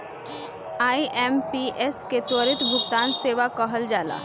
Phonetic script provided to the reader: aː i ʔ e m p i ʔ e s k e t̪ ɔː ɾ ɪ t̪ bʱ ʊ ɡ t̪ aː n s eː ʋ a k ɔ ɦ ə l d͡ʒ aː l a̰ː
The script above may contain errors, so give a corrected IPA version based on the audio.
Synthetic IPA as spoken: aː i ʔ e m p i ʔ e s k e t̪ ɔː ɾ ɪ t̪ bʱ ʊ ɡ t̪ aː n s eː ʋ a k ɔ ɦ ə l d͡ʒ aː l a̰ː